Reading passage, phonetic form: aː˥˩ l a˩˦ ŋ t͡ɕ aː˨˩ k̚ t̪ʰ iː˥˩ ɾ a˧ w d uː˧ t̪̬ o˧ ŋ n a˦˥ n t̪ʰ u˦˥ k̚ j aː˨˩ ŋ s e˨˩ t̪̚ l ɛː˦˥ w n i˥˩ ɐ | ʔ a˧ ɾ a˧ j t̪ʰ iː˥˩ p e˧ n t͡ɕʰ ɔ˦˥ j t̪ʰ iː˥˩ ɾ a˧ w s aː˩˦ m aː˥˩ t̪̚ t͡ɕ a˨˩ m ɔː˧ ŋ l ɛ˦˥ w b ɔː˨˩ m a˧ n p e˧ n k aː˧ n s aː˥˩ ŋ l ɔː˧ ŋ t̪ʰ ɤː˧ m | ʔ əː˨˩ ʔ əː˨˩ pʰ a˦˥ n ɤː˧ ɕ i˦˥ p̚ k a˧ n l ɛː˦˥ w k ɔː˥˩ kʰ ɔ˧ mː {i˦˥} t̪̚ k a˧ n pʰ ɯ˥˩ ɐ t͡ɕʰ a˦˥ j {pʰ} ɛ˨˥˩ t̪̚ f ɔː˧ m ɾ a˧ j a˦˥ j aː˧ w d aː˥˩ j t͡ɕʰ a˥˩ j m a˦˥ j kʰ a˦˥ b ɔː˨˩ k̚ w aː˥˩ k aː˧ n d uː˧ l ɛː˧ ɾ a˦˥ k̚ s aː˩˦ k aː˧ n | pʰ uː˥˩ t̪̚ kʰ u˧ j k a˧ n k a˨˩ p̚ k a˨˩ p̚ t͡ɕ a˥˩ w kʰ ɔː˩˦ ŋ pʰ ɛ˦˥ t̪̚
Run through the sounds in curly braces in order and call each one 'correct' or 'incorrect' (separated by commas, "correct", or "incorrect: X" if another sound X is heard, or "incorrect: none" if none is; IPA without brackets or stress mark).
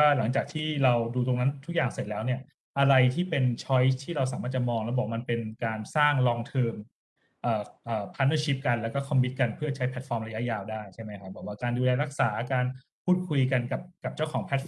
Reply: correct, correct